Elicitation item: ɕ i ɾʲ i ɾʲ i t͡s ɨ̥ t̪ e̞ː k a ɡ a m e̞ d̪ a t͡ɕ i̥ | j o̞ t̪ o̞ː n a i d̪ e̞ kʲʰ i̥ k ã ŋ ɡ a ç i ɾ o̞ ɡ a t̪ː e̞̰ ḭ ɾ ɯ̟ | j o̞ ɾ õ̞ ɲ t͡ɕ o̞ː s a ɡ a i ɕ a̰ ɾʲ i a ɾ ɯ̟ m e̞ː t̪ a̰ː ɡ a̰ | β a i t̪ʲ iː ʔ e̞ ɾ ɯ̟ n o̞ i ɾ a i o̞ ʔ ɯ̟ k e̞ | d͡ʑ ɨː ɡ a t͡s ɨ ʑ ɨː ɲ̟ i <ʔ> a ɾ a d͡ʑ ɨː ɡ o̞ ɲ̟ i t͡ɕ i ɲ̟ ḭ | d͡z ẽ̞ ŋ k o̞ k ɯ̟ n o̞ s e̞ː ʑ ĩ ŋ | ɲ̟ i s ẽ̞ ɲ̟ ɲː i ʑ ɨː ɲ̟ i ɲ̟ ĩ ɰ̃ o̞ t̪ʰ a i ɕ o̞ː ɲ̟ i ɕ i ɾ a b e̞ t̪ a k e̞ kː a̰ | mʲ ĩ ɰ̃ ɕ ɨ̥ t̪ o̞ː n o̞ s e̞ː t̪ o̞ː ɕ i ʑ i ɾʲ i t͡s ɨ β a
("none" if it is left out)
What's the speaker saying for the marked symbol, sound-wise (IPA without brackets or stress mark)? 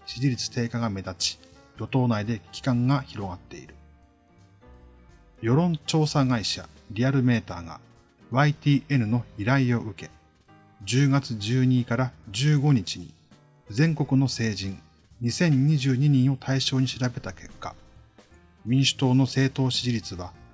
k